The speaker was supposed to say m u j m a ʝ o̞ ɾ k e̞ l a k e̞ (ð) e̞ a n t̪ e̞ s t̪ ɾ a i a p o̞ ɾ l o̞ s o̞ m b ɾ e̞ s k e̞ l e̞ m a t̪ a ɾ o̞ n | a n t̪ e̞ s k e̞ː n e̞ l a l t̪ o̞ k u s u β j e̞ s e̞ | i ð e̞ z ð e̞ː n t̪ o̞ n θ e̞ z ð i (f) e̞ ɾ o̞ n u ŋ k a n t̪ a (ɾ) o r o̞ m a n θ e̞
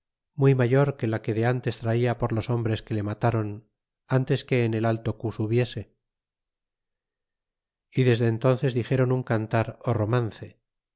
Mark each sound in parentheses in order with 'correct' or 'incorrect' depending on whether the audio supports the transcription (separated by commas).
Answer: correct, incorrect, correct